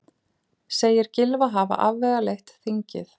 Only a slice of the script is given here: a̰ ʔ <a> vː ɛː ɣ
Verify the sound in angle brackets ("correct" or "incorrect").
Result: correct